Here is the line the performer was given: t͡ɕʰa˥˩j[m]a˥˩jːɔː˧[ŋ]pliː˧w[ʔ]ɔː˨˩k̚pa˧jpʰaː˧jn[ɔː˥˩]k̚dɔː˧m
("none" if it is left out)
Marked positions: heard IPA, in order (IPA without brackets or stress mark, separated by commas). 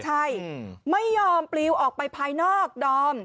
m, m, ʔ, ɔː˥˩